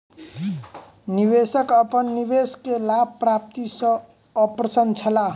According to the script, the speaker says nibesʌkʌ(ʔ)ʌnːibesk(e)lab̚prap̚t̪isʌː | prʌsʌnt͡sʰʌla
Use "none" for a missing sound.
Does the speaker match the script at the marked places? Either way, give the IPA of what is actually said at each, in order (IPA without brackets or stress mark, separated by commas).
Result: p, e